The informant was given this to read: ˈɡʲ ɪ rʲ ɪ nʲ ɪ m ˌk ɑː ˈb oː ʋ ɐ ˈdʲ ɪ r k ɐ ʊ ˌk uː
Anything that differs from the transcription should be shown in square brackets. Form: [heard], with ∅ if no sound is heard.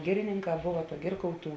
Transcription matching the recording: ˈɡʲ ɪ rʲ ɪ nʲ ɪ [ŋ] ˌk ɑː ˈb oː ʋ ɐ [ˈɡʲ] ɪ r k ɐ ʊ [ˌt] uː